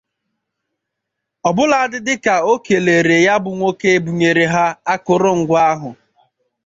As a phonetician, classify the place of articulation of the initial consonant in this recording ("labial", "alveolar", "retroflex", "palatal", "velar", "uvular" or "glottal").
labial